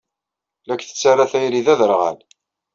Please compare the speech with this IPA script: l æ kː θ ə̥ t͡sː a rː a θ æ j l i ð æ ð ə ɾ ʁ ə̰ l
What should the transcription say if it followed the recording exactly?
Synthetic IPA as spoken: l æ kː θ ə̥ t͡sː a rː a θ æ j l i ð æ ð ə ɾ ʁ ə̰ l